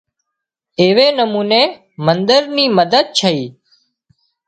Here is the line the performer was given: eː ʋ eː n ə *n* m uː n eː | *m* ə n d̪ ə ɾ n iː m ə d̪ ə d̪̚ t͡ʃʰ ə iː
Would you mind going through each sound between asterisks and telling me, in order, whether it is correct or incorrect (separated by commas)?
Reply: incorrect, correct